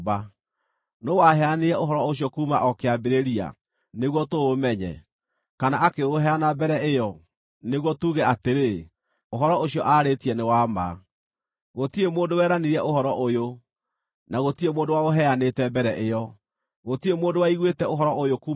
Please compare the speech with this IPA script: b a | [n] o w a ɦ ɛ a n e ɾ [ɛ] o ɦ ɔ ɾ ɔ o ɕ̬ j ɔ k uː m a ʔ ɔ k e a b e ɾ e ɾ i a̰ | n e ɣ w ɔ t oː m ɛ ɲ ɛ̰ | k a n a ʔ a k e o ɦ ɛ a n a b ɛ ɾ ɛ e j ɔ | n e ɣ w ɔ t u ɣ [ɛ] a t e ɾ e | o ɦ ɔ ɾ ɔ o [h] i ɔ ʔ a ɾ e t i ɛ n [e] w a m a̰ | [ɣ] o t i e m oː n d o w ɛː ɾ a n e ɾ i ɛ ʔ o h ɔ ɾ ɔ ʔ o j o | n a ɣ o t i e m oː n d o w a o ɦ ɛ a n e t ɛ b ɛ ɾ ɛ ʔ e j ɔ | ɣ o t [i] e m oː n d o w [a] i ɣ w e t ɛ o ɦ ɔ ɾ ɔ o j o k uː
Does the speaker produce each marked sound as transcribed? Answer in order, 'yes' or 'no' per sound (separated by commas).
yes, yes, yes, no, yes, yes, yes, yes